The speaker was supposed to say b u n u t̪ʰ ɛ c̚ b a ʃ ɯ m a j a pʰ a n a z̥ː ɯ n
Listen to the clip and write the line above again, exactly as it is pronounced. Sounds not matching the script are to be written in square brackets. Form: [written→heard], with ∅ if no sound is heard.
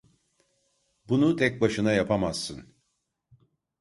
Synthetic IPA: b u n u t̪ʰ ɛ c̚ b a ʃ ɯ [m→n] a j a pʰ a [n→m] a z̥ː ɯ n